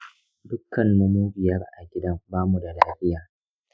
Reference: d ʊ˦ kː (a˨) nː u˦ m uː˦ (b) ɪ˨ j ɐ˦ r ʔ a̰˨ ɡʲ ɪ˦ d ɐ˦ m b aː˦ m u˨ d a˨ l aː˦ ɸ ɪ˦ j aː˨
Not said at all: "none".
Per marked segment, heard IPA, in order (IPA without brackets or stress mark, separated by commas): ɐ˨, b